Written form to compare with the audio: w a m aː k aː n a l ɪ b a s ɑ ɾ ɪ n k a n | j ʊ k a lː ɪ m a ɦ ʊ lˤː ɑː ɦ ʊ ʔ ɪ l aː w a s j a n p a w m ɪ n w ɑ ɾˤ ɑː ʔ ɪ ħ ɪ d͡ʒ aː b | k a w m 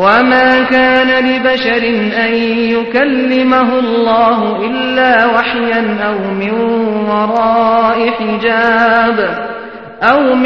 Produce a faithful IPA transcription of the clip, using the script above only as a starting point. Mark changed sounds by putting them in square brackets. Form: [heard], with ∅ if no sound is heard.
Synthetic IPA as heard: w a m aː k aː n a l ɪ b a [ʃ] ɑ ɾ ɪ n [ʔ] a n | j ʊ k a lː ɪ m a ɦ ʊ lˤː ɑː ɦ ʊ ʔ ɪ [lː] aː w a [ħ] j a n [ʔ] a w m ɪ n w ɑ ɾˤ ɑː ʔ ɪ ħ ɪ d͡ʒ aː b | [ʔ] a w m